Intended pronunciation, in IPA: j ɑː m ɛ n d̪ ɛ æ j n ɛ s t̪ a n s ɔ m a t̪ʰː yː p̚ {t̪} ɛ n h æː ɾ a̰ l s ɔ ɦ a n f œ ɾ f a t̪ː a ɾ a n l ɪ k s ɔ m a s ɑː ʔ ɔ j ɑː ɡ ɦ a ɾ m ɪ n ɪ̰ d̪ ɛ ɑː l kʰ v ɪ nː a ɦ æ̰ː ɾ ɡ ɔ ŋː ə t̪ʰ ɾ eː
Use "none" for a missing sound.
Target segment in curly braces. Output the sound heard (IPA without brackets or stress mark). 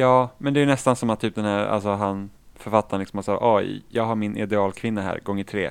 d̪